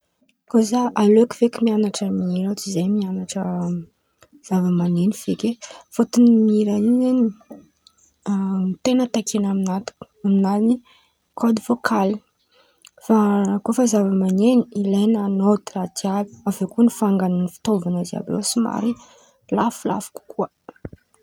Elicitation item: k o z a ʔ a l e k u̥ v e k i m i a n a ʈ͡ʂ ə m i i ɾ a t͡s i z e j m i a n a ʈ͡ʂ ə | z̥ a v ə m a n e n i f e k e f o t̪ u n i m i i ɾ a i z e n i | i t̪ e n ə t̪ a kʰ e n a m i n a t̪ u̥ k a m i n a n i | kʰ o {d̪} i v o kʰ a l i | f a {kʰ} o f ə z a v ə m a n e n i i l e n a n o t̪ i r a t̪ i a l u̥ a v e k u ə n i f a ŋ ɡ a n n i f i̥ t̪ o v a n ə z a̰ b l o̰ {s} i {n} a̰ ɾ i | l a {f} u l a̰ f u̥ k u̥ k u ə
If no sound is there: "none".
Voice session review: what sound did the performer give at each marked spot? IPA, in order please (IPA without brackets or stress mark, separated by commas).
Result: d̪, k, s, m, f